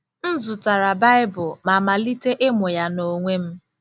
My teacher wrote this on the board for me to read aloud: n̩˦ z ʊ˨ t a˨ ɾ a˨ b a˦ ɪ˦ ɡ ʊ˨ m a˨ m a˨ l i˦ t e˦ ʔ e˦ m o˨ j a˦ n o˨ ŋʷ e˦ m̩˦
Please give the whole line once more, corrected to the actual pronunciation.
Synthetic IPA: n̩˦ z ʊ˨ t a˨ ɾ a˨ b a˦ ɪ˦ b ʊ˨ m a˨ m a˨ l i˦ t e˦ ʔ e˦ m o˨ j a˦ n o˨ ŋʷ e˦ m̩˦